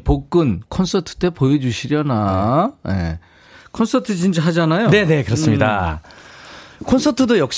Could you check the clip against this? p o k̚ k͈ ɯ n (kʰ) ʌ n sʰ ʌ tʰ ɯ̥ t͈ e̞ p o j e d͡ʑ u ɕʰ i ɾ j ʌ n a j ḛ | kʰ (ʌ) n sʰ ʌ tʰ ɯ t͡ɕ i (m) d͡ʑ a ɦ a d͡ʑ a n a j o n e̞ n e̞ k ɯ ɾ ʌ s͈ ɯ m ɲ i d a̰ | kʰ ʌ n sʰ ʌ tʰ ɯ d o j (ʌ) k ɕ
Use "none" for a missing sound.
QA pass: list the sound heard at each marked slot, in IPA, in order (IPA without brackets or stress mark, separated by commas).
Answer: kʰ, ʌ, n, ʌ